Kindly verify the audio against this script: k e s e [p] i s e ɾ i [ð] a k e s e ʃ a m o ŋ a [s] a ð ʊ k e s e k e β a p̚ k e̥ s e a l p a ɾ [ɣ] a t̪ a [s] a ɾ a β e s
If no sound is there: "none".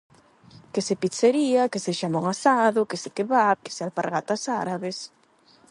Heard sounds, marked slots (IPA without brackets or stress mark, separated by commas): p, none, s, ɣ, s